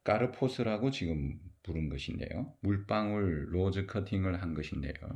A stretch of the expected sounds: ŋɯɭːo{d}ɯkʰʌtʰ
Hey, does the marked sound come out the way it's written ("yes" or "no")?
no